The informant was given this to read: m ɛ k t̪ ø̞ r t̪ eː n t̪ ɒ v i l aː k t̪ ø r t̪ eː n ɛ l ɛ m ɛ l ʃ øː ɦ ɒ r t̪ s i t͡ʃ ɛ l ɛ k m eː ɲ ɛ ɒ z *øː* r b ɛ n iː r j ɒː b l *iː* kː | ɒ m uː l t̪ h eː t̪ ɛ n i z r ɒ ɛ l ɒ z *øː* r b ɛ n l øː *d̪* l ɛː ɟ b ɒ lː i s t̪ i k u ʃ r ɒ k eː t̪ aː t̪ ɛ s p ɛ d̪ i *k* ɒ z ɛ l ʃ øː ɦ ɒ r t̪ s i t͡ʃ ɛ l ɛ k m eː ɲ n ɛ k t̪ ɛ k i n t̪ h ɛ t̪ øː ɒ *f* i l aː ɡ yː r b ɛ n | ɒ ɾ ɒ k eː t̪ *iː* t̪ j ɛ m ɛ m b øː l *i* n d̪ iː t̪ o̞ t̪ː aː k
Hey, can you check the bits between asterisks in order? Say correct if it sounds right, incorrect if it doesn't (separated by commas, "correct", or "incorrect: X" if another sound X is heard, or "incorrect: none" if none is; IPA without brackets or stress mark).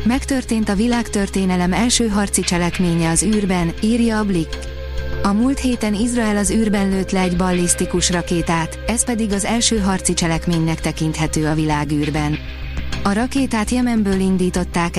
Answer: incorrect: yː, incorrect: i, incorrect: yː, incorrect: t̪, incorrect: ɡ, incorrect: v, incorrect: aː, correct